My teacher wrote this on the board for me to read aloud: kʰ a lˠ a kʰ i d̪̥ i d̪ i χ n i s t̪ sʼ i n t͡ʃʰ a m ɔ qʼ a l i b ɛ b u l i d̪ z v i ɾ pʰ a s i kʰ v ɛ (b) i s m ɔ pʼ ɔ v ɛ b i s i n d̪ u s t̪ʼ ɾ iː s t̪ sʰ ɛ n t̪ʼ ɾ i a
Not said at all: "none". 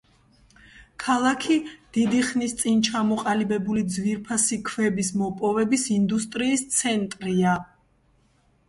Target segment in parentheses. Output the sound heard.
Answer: b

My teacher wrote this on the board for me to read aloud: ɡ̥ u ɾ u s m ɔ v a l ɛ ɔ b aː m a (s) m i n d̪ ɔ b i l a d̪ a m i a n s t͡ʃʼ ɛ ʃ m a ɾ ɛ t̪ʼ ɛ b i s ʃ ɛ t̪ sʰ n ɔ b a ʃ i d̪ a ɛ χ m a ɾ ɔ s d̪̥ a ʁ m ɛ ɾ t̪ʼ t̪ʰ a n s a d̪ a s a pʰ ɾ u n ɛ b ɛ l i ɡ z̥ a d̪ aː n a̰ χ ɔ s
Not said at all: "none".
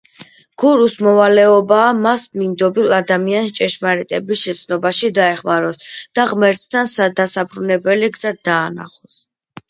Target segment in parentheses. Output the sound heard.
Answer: s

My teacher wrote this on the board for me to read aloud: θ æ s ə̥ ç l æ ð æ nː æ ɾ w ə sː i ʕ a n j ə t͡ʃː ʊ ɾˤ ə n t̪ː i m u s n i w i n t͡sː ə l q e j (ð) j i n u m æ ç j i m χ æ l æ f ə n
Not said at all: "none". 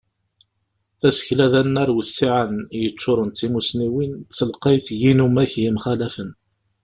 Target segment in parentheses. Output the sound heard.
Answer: θ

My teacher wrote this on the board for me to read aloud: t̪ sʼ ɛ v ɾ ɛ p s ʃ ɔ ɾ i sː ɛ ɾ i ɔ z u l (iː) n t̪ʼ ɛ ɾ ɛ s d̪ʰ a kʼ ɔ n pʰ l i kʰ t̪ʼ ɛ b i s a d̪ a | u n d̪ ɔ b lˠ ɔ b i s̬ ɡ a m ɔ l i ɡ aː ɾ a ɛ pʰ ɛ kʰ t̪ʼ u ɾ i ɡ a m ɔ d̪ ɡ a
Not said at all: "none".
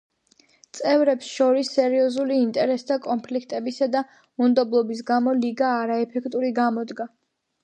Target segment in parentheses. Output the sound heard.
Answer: iː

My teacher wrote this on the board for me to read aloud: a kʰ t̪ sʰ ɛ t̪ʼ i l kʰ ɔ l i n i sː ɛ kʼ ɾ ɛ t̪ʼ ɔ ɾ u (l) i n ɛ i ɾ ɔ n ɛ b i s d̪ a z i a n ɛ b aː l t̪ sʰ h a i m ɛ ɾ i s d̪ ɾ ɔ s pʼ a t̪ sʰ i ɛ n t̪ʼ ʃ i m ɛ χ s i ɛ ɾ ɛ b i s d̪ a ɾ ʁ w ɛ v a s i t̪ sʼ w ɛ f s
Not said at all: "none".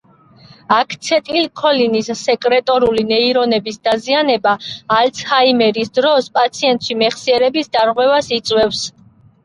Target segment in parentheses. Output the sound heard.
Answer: l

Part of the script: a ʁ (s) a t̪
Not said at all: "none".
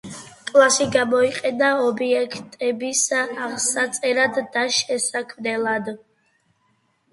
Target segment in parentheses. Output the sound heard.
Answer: s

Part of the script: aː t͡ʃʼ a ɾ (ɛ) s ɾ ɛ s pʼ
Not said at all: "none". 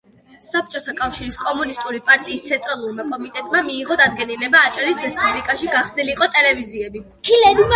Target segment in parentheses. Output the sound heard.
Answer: i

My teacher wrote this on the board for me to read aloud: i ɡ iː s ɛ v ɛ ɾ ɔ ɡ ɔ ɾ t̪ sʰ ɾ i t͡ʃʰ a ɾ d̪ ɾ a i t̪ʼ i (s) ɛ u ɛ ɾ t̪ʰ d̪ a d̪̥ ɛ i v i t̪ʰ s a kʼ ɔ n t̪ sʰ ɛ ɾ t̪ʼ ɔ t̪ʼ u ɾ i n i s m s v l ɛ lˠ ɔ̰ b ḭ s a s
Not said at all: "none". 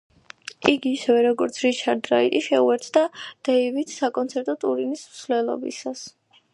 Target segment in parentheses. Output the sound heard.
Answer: ʃ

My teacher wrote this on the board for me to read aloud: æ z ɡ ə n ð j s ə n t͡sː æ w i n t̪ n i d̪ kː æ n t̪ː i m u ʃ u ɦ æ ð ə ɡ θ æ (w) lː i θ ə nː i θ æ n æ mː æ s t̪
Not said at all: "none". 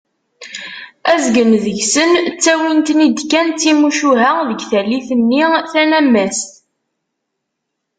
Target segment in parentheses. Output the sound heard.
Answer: none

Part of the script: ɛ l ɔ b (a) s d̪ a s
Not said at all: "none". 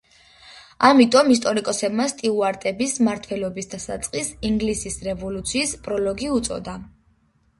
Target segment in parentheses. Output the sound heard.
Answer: i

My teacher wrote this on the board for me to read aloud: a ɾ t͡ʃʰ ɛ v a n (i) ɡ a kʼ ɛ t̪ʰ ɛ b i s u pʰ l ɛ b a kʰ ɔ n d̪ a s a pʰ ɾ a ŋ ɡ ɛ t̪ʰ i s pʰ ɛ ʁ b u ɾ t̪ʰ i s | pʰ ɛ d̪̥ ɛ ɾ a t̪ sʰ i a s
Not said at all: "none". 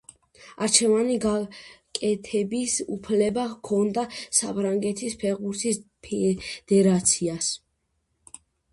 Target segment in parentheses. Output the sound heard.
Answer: i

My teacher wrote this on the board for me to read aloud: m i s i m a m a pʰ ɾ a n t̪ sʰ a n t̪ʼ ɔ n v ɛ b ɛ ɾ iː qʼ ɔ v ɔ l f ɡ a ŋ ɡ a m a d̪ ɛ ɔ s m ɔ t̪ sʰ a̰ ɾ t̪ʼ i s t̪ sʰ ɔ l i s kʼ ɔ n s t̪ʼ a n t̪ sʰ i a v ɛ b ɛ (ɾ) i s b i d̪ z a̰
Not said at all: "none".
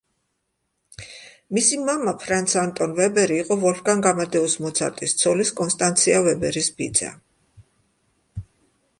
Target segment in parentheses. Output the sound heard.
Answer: ɾ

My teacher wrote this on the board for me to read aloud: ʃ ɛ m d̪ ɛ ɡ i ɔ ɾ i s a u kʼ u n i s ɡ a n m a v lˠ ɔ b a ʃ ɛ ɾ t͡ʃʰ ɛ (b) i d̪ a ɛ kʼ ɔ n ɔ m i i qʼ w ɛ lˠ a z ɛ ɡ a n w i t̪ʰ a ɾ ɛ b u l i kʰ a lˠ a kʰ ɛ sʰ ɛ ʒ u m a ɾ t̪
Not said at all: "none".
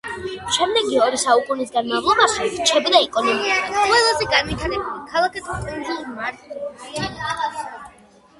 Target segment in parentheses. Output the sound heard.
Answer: b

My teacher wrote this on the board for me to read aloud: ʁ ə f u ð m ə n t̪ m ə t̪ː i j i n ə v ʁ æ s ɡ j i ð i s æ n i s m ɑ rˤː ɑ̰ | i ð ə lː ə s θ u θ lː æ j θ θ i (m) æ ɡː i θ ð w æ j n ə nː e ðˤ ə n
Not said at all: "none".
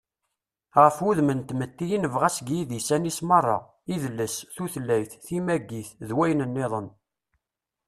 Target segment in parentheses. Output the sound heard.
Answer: m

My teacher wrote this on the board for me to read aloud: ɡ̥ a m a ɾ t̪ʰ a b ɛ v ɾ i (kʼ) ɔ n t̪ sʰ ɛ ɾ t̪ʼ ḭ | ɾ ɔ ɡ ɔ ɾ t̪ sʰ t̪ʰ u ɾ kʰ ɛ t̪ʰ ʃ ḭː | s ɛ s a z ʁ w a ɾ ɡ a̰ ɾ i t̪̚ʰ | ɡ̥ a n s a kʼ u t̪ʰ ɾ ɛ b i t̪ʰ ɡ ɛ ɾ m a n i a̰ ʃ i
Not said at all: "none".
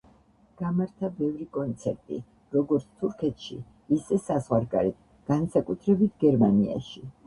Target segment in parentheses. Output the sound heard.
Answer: kʼ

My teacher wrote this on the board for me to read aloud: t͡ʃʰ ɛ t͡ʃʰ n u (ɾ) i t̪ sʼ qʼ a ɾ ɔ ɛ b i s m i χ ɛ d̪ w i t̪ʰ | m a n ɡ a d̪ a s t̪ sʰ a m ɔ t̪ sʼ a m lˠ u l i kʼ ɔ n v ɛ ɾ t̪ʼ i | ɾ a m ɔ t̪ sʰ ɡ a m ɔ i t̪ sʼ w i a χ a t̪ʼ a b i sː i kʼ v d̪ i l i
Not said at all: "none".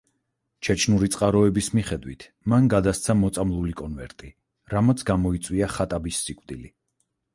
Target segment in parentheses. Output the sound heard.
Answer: ɾ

